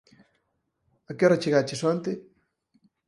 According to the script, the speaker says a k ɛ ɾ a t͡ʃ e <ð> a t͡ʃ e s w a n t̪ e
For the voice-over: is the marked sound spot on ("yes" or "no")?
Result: no